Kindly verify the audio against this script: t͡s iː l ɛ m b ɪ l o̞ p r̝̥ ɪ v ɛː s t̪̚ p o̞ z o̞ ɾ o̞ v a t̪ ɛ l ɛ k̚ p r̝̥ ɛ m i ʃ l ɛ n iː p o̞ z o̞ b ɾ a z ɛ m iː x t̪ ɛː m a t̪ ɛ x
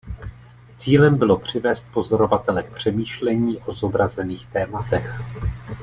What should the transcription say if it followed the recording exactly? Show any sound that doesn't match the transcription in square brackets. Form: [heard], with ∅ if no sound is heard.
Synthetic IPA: t͡s iː l ɛ m b ɪ l o̞ p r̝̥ ɪ v ɛː s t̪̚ p o̞ z o̞ ɾ o̞ v a t̪ ɛ l ɛ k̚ p r̝̥ ɛ m [iː] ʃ l ɛ [ɲ] iː [ʔ] o̞ z o̞ b ɾ a z ɛ [n] iː x t̪ ɛː m a t̪ ɛ x

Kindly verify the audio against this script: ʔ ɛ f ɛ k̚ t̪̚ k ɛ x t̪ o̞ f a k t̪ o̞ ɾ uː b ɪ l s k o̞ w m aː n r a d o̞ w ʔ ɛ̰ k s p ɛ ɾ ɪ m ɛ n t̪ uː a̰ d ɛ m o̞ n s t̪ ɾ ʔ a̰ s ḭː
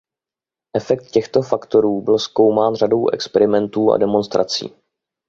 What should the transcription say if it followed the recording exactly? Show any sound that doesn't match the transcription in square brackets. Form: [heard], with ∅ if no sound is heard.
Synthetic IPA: ʔ ɛ f ɛ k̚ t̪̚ [c] ɛ x t̪ o̞ f a k t̪ o̞ ɾ uː b ɪ l s k o̞ w m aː n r a d o̞ w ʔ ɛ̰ k s p ɛ ɾ ɪ m ɛ n t̪ uː a̰ d ɛ m o̞ n s t̪ ɾ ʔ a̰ [t͡s] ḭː

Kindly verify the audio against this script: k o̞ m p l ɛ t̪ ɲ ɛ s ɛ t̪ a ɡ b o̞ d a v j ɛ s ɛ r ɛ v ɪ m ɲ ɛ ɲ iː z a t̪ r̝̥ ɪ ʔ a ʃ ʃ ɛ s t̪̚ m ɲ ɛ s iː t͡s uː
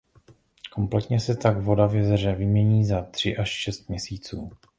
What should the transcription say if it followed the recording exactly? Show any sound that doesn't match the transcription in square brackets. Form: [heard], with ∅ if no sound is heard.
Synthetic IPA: k o̞ m p l ɛ t̪ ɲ ɛ s ɛ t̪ a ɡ [v] o̞ d a v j ɛ [z] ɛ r ɛ v ɪ m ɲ ɛ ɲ iː z a t̪ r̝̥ ɪ ʔ a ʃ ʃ ɛ s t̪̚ m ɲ ɛ s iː t͡s uː

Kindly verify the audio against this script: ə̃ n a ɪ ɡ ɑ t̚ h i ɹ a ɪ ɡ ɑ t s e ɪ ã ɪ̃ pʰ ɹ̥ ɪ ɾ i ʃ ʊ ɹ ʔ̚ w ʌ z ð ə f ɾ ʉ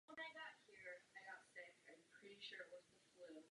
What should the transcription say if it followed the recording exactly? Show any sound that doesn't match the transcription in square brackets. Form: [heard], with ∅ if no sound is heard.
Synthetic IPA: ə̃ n a ɪ ɡ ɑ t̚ h i ɹ a ɪ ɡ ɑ t s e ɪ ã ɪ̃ pʰ ɹ̥ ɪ ɾ i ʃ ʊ ɹ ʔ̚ w ʌ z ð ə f [l] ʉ

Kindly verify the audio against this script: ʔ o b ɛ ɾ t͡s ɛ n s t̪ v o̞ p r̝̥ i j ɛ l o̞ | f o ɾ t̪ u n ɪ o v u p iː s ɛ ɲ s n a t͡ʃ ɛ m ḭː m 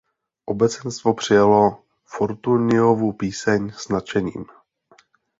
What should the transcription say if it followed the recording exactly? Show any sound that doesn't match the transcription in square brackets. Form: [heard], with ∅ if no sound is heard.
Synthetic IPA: ʔ o b ɛ [∅] t͡s ɛ n s t̪ v o̞ p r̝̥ [ɪ] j [a] l o̞ | f o ɾ t̪ u n ɪ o v u p iː s ɛ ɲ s n a t͡ʃ ɛ [ɲ] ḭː m

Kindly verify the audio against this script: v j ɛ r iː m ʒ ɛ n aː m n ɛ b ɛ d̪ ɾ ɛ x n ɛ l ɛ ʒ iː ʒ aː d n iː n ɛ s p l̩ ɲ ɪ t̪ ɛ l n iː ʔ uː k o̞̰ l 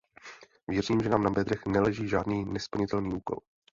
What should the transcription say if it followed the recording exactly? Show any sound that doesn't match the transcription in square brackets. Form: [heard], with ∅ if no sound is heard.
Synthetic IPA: v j ɛ r iː m ʒ ɛ n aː m n [a] b ɛ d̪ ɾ ɛ x n ɛ l ɛ ʒ iː ʒ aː d n iː n ɛ s p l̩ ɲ ɪ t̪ ɛ l n iː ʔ uː k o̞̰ l

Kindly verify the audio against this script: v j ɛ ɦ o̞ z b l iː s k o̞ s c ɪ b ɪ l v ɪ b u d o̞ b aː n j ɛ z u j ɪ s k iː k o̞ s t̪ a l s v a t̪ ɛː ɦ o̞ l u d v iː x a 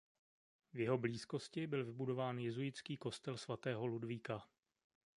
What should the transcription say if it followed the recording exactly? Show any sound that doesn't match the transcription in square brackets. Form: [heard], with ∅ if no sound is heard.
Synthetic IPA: v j ɛ ɦ o̞ [∅] b l iː s k o̞ s c ɪ b ɪ l v ɪ b u d o̞ [v] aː n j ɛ z u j ɪ [t͡s] k iː k o̞ s t̪ [ɛ] l s v a t̪ ɛː ɦ o̞ l u d v iː [k] a

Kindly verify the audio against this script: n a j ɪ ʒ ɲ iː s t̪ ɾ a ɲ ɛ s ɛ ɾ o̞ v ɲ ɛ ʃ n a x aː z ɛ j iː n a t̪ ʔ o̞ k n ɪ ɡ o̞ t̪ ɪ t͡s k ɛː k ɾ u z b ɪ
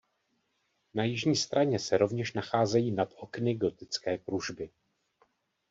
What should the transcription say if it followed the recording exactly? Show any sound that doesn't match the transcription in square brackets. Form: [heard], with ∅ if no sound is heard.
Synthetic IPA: n a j ɪ ʒ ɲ iː s t̪ ɾ a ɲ ɛ s ɛ ɾ o̞ v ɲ ɛ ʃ n a x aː z ɛ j iː n a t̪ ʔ o̞ k n ɪ ɡ o̞ t̪ ɪ t͡s k ɛː k ɾ u [ʒ] b ɪ

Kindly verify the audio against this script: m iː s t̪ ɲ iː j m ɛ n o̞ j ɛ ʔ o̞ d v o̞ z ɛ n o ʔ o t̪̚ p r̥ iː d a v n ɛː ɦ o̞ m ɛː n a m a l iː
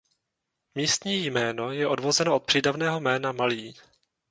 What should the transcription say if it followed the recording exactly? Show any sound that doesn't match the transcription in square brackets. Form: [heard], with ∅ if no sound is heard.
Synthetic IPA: m iː s t̪ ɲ iː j m [ɛː] n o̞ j ɛ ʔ o̞ d v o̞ z ɛ n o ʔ o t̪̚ p r̥ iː d a v n ɛː ɦ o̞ m ɛː n a m a l iː

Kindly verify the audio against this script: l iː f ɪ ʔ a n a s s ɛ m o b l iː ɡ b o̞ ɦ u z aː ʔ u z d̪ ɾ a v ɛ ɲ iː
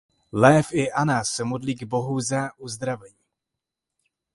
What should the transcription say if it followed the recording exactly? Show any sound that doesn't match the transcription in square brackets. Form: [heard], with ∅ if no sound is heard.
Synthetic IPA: l [ɛː] f ɪ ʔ a n a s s ɛ m o [d] l iː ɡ b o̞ ɦ u z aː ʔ u z d̪ ɾ a v ɛ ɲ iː

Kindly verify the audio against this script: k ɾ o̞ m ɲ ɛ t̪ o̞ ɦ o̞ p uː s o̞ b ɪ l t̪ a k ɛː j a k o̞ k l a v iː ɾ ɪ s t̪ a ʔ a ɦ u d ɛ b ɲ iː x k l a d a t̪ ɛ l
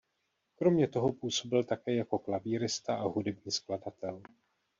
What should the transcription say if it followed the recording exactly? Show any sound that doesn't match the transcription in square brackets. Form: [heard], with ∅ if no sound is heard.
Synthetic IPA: k ɾ o̞ m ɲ ɛ t̪ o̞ ɦ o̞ p uː s o̞ b ɪ l t̪ a k ɛː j a k o̞ k l a v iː ɾ ɪ s t̪ a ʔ a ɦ u d ɛ b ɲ iː [s] k l a d a t̪ ɛ l

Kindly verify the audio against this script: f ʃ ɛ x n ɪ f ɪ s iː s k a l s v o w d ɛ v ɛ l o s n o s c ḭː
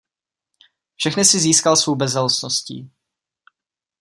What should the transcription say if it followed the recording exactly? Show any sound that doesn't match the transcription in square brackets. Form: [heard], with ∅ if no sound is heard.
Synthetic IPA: f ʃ ɛ x n ɪ [s] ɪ [z] iː s k a l s v o w [b] ɛ [z] ɛ l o s n o s c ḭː

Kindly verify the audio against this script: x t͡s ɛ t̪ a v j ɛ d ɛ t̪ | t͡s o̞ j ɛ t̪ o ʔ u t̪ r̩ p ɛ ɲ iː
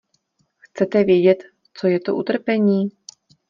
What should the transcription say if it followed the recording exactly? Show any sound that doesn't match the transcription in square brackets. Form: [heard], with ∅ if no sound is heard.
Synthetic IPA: x t͡s ɛ t̪ [ɛ] v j ɛ [ɟ] ɛ t̪ | t͡s o̞ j ɛ t̪ o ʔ u t̪ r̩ p ɛ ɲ iː

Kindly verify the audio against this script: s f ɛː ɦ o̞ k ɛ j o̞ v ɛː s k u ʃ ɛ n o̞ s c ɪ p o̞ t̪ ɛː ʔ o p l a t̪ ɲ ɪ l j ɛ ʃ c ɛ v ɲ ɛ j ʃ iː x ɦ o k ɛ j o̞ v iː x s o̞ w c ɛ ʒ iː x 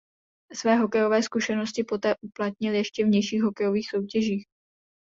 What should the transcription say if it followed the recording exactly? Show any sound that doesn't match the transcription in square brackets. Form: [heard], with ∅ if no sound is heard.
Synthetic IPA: s [v] ɛː ɦ o̞ k ɛ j o̞ v ɛː s k u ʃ ɛ n o̞ s c ɪ p o̞ t̪ ɛː ʔ [u] p l a t̪ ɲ ɪ l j ɛ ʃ c ɛ v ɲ ɛ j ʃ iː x ɦ o k ɛ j o̞ v iː x s o̞ w c ɛ ʒ iː x

